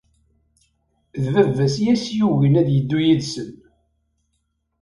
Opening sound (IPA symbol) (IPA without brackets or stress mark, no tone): ð